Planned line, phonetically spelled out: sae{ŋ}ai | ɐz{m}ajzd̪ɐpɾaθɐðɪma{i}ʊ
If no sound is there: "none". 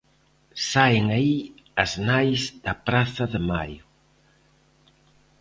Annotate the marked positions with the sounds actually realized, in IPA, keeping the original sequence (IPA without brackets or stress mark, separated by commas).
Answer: ŋ, n, j